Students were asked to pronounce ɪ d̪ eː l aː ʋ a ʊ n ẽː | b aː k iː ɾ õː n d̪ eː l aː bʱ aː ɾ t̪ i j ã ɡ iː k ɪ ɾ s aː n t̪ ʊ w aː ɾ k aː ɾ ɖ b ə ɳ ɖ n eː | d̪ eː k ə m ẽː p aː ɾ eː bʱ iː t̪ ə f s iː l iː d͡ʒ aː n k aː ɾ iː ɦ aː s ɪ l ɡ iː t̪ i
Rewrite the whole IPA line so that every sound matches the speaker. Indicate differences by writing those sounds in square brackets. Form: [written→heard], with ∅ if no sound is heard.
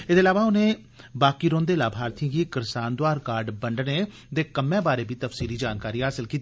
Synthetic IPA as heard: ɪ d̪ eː l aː ʋ a ʊ n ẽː | b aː k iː ɾ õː n d̪ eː l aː bʱ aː ɾ t̪ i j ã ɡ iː k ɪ ɾ s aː n [t̪→d̪] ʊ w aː ɾ k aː ɾ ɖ b ə ɳ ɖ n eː | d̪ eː k ə m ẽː [p→b] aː ɾ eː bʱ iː t̪ ə f s iː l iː d͡ʒ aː n k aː ɾ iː ɦ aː s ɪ l [ɡ→k] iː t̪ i